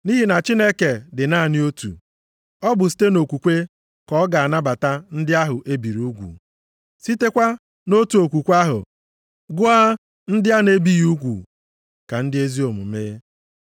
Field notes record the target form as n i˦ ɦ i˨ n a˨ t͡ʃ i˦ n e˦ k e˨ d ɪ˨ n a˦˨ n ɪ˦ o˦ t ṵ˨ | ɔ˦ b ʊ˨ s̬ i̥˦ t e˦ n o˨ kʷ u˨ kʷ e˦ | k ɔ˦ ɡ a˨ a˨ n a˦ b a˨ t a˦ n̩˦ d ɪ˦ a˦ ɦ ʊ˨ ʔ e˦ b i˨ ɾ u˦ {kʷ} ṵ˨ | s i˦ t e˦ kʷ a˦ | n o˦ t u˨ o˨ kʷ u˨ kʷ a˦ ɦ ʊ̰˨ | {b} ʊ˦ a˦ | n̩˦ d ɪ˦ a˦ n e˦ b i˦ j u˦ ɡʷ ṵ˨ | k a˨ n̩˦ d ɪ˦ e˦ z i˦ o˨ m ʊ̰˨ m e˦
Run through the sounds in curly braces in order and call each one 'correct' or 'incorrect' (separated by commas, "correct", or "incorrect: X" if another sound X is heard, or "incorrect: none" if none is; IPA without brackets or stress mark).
incorrect: ɡʷ, incorrect: ɡ